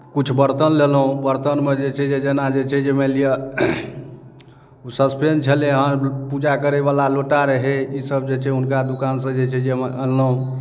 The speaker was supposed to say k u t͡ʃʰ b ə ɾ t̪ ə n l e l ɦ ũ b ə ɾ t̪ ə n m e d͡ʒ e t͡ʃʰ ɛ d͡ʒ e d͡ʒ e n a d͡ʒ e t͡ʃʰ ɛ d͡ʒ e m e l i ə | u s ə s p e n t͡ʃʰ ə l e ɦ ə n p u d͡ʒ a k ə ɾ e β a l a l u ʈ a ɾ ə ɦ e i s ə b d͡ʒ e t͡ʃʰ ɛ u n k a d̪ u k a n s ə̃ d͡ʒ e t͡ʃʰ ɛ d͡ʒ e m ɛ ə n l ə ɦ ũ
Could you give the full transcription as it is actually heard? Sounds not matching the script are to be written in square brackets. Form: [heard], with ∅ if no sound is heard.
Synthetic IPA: k u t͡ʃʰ b ə ɾ t̪ ə n l e l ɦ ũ b ə ɾ t̪ ə n m e d͡ʒ e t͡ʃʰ ɛ d͡ʒ e d͡ʒ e n a d͡ʒ e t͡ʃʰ ɛ d͡ʒ e m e l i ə | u s ə s p e n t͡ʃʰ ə l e ɦ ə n p u d͡ʒ a k ə ɾ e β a l a l [o] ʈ a ɾ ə ɦ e i s ə b d͡ʒ e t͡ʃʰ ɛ u n k a d̪ u k a n s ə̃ d͡ʒ e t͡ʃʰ ɛ d͡ʒ e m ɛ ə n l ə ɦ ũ